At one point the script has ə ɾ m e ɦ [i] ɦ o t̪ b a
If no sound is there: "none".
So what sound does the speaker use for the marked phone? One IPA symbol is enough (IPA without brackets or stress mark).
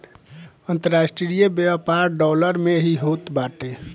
i